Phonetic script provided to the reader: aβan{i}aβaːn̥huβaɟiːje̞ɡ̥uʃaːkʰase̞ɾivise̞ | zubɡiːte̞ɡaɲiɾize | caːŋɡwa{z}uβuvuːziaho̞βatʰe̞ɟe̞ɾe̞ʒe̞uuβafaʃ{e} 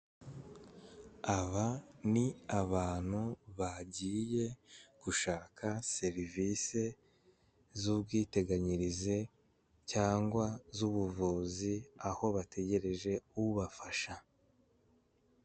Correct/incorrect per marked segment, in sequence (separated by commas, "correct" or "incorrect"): correct, correct, incorrect